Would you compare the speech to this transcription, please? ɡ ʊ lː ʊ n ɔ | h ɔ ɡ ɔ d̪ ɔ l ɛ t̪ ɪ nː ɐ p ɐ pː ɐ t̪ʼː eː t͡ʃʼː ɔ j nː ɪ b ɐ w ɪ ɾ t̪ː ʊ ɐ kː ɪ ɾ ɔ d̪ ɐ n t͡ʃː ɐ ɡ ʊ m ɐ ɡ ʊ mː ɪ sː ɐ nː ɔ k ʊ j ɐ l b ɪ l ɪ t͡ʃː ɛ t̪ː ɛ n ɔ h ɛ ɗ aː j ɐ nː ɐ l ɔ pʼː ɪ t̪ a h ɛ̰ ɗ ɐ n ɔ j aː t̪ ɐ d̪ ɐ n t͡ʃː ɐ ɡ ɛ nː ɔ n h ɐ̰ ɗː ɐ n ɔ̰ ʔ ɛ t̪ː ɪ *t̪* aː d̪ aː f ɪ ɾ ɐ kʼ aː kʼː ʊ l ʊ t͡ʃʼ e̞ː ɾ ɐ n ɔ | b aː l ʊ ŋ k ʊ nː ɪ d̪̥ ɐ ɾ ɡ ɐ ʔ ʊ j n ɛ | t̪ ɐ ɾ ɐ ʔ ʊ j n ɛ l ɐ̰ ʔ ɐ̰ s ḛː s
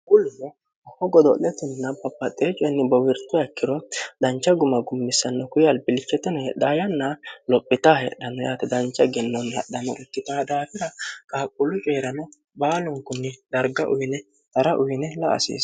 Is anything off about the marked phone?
no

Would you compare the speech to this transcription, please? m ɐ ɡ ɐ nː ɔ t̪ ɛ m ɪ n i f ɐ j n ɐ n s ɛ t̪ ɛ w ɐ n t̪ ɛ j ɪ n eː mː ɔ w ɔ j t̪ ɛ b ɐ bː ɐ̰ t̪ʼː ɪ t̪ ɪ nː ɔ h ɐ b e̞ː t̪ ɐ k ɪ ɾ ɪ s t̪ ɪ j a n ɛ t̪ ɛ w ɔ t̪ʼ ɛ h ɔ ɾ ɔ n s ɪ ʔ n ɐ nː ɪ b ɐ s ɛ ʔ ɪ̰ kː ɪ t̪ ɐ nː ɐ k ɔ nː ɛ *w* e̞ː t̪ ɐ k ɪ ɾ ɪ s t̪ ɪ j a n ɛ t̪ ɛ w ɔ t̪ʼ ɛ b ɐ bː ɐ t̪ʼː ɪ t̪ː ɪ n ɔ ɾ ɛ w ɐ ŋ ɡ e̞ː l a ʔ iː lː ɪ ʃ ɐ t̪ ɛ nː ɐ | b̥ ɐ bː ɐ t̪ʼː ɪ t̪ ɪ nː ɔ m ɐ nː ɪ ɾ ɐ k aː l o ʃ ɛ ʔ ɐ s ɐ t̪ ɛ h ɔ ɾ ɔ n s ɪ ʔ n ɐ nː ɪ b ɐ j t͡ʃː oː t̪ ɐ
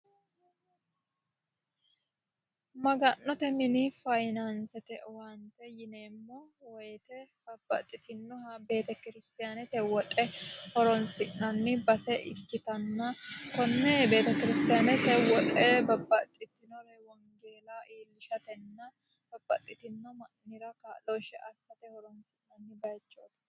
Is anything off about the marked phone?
yes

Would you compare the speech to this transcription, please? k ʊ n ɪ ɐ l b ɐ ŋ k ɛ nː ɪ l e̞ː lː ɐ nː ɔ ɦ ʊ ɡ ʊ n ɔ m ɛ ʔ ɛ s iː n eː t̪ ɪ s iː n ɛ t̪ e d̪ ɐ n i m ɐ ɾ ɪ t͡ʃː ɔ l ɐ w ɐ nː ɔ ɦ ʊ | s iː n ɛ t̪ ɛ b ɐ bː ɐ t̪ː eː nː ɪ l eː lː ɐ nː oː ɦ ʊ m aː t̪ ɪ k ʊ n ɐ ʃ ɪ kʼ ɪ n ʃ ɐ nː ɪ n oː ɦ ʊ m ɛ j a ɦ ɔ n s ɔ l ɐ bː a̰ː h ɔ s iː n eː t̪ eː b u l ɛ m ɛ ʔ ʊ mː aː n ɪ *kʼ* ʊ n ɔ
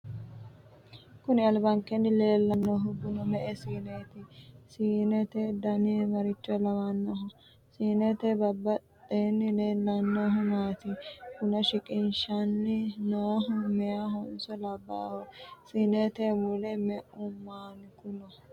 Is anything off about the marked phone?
yes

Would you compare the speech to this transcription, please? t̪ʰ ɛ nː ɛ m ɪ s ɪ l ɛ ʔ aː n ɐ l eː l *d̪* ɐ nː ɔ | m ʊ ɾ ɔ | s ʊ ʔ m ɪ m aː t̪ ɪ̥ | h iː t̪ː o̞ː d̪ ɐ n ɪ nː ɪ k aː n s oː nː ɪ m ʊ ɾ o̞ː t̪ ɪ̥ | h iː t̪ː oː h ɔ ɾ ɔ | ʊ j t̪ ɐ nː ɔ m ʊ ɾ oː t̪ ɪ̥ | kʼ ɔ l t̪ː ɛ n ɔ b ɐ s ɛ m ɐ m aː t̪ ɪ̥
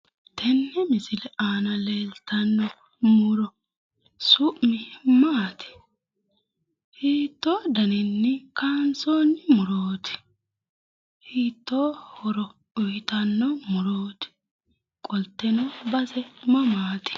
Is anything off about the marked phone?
yes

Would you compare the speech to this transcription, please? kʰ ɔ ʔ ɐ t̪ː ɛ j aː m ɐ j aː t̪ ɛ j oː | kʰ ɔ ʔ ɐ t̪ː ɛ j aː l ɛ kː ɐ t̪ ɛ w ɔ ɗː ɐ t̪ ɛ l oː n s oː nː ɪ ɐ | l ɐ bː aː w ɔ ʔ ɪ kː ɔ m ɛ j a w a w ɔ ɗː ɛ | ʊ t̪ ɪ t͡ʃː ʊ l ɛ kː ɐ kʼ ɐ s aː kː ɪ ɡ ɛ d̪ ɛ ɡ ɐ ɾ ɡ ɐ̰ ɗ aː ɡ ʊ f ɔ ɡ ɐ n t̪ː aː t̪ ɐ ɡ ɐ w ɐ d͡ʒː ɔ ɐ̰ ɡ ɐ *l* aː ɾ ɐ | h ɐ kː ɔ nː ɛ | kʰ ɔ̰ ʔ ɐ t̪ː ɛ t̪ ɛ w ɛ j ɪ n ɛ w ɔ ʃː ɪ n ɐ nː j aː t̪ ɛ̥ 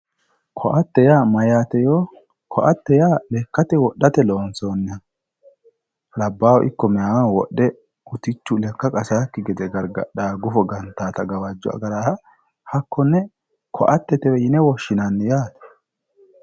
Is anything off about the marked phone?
yes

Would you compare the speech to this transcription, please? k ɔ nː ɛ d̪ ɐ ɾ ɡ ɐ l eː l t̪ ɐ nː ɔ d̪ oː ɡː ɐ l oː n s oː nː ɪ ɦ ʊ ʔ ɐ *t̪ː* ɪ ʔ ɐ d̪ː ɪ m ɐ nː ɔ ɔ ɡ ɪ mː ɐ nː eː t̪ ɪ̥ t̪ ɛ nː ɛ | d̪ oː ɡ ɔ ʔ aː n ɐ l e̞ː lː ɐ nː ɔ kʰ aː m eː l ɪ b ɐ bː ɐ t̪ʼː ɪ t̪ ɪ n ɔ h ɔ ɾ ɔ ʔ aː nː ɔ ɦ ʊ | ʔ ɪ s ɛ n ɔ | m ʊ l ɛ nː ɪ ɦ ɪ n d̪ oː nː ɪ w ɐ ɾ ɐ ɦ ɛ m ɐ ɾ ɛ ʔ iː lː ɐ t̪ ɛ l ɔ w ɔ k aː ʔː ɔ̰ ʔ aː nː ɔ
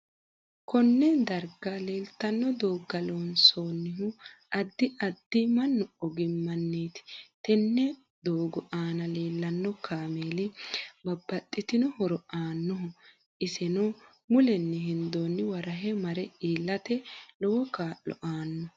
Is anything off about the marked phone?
yes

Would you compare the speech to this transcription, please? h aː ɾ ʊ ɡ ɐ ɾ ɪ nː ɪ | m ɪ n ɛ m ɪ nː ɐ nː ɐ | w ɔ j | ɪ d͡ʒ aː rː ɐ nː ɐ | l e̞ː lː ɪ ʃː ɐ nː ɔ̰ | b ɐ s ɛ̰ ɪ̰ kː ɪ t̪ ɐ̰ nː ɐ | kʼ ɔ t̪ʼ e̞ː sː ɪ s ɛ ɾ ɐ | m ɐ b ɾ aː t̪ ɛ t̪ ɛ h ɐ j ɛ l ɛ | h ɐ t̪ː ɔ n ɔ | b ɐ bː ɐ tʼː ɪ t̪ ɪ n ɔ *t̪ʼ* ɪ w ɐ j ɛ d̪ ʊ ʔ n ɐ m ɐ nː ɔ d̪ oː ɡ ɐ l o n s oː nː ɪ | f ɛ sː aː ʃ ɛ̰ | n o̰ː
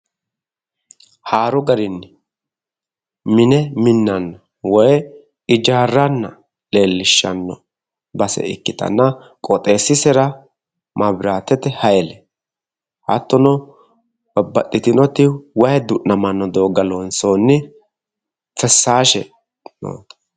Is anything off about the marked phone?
yes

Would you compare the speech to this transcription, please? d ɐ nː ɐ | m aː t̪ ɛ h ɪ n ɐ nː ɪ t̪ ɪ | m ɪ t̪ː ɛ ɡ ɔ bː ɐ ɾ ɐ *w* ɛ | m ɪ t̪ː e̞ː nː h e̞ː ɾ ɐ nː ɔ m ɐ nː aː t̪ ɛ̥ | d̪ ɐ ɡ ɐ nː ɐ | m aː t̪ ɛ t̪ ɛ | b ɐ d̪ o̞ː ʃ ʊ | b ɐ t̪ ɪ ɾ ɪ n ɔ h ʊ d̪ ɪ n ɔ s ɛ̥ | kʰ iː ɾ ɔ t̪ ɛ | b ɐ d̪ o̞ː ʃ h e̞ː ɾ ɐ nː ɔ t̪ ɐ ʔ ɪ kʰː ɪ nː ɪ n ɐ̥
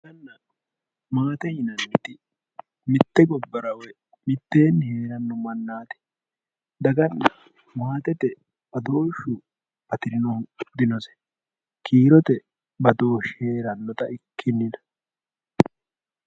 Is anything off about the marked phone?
no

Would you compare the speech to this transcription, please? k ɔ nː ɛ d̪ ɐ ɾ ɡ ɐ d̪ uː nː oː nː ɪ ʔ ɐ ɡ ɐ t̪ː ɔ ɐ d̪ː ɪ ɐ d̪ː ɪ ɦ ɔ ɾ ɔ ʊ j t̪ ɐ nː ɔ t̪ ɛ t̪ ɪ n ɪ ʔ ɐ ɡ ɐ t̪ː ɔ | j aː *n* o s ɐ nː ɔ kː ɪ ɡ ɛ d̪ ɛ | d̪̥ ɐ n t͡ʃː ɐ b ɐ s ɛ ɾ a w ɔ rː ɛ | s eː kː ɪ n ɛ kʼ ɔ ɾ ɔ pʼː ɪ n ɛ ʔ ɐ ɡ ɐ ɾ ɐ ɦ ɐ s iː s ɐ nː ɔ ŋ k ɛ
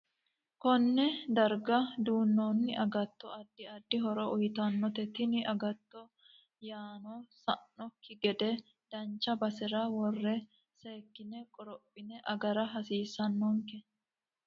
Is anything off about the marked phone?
no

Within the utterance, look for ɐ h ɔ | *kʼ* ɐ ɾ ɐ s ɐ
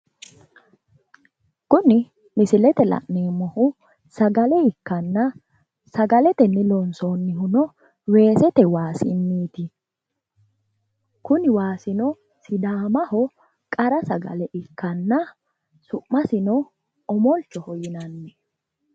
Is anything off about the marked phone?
no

